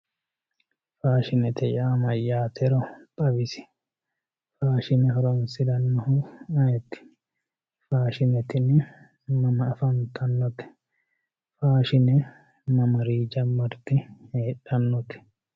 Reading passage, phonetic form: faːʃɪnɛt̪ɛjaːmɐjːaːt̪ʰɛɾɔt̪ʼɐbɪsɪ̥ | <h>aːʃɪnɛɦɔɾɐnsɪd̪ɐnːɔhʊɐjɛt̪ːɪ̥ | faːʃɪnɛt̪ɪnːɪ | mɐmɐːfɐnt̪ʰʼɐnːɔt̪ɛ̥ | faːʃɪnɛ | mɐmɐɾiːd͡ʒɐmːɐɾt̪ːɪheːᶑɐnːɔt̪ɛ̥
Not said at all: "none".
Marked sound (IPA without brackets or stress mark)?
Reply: f